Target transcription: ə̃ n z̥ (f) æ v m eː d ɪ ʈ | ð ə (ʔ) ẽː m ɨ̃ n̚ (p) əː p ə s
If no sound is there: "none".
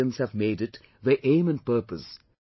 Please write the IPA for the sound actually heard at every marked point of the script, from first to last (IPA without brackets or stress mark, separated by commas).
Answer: h, ʔ, p